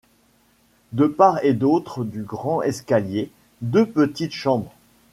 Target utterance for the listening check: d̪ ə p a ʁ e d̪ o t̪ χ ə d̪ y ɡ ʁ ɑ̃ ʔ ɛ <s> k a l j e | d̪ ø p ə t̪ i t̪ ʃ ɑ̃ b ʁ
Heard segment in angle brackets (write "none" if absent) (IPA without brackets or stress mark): s